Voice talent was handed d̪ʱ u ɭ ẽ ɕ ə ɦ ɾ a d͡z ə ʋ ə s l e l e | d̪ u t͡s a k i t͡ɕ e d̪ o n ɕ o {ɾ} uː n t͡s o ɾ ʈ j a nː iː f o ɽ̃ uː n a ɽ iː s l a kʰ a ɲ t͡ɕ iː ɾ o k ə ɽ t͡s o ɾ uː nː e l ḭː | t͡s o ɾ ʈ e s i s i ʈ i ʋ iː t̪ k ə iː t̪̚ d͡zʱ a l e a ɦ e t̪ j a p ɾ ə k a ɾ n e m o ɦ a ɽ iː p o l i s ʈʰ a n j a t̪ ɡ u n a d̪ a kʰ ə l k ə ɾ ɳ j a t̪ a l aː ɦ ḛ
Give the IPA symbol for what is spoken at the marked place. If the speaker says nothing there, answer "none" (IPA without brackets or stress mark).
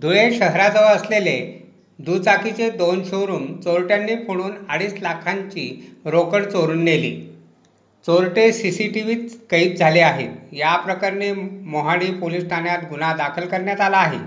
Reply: ɾ